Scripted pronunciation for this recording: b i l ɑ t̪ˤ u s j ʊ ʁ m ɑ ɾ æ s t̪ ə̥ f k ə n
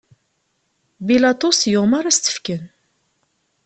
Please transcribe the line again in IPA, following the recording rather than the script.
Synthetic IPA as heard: b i l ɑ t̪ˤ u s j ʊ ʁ m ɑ ɾ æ s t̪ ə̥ f k ə n